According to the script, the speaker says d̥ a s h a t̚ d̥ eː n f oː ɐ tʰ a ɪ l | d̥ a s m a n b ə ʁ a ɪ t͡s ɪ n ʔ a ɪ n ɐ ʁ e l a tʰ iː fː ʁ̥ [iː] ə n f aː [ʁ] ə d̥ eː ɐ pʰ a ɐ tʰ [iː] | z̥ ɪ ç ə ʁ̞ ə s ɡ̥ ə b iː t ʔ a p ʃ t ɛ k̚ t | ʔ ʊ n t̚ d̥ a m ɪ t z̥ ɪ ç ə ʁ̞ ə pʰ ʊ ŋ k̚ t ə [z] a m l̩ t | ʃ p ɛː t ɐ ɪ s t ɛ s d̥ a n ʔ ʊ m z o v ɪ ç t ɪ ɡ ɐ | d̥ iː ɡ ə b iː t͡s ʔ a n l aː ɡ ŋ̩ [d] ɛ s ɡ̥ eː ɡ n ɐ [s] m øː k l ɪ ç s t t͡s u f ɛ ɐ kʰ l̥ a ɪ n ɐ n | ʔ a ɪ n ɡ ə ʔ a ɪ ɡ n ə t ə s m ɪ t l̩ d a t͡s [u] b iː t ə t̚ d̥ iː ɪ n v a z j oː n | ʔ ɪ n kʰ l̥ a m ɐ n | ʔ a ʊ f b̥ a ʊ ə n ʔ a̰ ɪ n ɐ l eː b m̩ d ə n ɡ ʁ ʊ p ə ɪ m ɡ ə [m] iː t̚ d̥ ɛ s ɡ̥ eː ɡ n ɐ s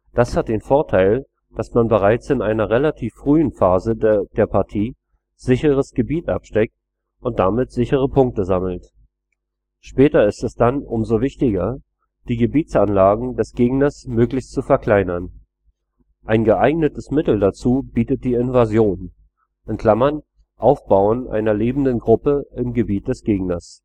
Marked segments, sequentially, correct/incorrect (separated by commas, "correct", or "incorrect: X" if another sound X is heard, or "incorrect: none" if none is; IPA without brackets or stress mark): incorrect: yː, incorrect: z, correct, correct, correct, correct, incorrect: uː, incorrect: b